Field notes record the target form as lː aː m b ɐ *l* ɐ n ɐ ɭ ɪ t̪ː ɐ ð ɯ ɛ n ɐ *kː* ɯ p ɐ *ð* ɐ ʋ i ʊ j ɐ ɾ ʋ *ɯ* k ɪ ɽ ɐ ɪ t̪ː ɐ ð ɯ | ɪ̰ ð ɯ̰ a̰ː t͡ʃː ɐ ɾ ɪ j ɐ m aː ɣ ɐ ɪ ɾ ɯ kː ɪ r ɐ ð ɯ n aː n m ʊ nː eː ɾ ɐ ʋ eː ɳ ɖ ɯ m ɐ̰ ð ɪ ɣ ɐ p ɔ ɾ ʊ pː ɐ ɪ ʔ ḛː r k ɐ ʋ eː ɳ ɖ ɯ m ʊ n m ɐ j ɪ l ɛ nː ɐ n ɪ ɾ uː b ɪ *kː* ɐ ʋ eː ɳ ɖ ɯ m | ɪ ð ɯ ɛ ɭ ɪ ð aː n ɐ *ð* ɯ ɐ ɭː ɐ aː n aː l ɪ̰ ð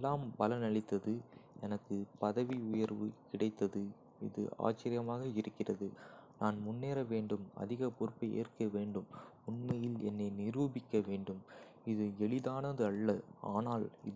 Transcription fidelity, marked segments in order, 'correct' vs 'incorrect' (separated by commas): correct, correct, correct, correct, correct, correct